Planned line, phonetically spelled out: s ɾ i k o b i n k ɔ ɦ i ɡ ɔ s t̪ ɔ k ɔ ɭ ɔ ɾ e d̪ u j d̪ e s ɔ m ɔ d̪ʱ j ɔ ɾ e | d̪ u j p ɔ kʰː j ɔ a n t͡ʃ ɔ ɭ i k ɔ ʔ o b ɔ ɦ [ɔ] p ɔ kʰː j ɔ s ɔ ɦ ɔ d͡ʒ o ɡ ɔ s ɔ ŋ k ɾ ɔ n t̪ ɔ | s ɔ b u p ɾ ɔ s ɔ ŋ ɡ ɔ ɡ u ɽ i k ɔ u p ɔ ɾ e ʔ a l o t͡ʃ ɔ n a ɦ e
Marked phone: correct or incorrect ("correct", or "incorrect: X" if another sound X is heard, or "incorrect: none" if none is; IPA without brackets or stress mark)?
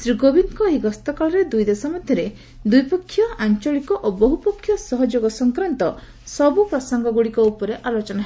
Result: incorrect: u